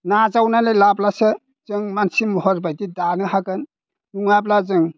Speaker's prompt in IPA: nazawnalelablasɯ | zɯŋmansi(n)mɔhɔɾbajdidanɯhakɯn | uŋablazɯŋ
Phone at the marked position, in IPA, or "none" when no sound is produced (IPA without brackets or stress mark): none